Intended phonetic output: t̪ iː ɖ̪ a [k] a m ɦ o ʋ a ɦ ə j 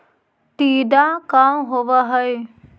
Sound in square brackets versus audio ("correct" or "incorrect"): correct